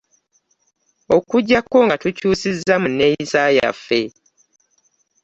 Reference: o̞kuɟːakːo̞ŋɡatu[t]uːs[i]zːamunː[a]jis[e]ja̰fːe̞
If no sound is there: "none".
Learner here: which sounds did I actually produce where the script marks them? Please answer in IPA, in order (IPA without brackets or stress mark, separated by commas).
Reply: c, i, e, a